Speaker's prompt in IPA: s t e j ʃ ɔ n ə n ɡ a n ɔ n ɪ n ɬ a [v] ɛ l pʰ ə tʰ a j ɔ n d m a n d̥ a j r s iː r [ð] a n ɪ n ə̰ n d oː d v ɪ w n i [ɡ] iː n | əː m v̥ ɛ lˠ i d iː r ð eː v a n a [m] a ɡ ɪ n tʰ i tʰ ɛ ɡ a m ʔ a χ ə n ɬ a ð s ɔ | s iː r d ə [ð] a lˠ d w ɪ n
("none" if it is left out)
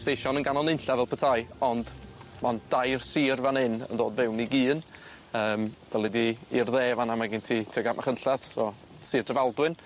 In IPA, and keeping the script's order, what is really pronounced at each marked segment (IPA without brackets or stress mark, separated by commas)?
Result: v, v, ɡ, m, v